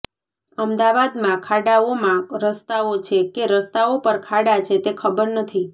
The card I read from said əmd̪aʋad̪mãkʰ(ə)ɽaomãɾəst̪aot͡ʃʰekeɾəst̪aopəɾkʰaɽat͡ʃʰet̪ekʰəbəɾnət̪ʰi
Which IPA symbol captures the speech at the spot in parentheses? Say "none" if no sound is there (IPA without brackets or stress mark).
a